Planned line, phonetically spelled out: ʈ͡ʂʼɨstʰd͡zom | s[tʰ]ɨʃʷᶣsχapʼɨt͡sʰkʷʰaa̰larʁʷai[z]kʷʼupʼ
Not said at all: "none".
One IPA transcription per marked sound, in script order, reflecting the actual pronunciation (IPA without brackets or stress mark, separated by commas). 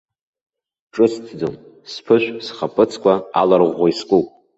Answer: pʰ, s